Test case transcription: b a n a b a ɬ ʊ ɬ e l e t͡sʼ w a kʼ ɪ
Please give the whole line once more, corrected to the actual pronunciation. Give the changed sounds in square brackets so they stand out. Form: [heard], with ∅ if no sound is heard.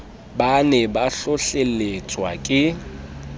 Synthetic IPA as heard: b a n [ɛ] b a ɬ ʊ ɬ e l e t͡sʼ w a kʼ ɪ

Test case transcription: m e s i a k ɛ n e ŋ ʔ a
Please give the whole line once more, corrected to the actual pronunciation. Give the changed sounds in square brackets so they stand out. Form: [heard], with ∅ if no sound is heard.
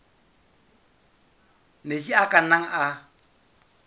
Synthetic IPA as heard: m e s i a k [a] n [a] ŋ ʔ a

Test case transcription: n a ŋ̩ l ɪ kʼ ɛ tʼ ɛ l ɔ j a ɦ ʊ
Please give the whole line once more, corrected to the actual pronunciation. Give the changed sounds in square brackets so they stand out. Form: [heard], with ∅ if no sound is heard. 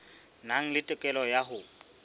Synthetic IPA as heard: n a ŋ̩ l ɪ [tʼ] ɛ [kʼ] ɛ l ɔ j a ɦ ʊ

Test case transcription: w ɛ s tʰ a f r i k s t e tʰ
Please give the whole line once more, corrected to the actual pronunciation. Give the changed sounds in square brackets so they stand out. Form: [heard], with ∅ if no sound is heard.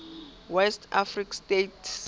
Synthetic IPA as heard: w ɛ s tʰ a f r i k s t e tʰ

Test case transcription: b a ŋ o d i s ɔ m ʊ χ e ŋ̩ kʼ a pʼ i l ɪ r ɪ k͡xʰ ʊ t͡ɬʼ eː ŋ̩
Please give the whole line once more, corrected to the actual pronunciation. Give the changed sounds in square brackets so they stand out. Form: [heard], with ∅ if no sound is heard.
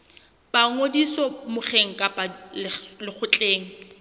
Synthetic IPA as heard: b a ŋ o d i s ɔ m ʊ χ e ŋ̩ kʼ a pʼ [a] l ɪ [l] ɪ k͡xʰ ʊ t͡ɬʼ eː ŋ̩

